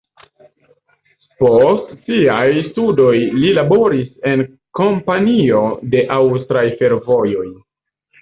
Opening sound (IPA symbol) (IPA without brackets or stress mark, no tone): p